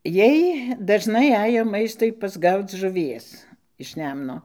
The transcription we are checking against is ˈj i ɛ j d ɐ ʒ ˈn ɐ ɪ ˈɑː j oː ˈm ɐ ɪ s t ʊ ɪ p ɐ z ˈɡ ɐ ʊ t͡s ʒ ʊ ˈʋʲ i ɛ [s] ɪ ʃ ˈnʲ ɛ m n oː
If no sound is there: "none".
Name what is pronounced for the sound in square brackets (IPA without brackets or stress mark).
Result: s